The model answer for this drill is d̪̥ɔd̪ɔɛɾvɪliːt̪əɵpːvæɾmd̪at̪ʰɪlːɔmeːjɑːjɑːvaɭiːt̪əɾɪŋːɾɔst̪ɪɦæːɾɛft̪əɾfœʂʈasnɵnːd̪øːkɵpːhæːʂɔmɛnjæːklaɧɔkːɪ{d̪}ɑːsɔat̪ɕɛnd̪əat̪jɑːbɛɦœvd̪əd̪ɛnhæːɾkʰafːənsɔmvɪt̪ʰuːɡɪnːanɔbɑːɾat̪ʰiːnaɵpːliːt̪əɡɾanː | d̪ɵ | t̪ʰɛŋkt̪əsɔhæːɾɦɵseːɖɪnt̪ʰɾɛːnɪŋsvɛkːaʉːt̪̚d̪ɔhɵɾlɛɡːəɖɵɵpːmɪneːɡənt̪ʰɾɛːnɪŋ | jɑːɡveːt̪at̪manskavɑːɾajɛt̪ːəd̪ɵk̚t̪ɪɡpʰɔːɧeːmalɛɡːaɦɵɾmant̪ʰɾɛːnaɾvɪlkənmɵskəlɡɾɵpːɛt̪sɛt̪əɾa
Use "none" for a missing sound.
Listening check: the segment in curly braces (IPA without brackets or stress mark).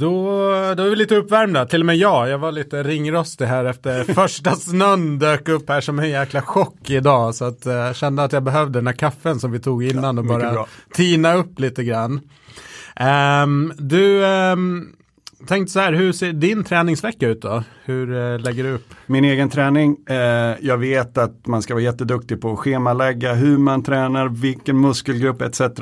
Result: d̪